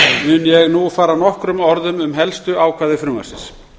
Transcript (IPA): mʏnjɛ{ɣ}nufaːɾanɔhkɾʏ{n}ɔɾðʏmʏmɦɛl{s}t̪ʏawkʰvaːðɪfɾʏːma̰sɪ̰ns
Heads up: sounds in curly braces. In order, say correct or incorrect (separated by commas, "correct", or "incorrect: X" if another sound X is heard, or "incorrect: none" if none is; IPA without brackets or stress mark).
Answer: correct, incorrect: m, correct